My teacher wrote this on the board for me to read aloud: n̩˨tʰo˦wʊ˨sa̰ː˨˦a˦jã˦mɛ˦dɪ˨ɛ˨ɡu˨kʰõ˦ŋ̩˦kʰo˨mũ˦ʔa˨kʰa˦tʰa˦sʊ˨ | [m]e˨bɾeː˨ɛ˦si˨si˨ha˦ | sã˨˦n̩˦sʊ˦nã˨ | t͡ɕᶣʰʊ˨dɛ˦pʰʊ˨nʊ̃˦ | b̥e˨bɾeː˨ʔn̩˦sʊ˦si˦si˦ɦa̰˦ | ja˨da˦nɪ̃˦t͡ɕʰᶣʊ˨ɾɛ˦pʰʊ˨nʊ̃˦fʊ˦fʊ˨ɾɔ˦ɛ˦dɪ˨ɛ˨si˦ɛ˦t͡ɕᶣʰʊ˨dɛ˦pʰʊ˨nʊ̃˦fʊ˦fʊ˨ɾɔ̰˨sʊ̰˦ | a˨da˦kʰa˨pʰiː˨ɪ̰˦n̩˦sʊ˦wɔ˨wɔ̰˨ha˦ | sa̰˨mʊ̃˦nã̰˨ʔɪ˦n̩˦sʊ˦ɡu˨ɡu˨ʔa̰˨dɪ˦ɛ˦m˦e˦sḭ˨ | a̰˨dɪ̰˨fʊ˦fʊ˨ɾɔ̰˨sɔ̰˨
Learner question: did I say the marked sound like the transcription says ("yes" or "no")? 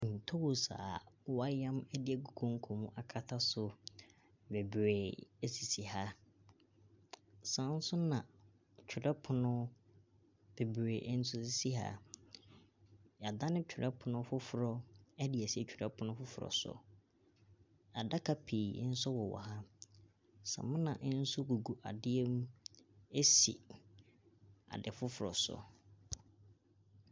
no